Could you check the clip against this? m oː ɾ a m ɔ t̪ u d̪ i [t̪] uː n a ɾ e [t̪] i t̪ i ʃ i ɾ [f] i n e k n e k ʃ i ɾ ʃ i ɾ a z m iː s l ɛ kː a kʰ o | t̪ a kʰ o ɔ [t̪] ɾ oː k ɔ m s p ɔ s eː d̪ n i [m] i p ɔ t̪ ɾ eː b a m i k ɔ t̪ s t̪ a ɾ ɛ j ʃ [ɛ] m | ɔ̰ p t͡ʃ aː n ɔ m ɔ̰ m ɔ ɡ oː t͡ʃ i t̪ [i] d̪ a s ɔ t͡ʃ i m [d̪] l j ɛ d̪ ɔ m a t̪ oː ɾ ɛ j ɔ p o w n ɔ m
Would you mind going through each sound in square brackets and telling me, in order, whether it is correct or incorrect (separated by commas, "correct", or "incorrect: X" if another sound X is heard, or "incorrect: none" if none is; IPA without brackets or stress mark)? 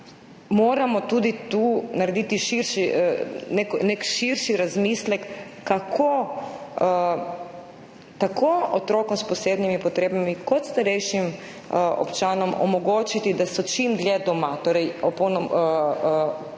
correct, incorrect: d̪, incorrect: ʃ, correct, correct, incorrect: i, correct, correct